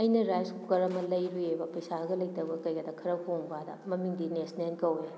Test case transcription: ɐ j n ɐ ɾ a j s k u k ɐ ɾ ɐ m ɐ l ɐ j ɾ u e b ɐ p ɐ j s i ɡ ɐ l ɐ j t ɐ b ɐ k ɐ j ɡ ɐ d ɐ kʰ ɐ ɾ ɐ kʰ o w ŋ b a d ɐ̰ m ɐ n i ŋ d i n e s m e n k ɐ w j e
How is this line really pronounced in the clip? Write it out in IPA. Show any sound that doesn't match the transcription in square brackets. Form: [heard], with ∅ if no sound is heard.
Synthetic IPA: ɐ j n ɐ ɾ a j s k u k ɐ ɾ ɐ m ɐ l ɐ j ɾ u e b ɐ p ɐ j s [a] ɡ ɐ l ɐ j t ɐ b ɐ k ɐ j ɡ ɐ d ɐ kʰ ɐ ɾ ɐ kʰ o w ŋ b a d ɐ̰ m ɐ [m] i ŋ d i n e s [n] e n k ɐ w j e